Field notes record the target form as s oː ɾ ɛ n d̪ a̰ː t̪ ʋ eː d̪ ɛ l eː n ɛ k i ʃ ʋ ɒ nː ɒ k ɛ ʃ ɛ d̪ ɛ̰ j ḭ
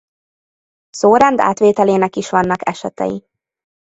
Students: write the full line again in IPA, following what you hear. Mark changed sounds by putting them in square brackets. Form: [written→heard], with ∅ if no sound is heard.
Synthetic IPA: s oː ɾ ɛ n d̪ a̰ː t̪ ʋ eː [d̪→t̪] ɛ l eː n ɛ k i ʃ ʋ ɒ nː ɒ k ɛ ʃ ɛ [d̪→t̪] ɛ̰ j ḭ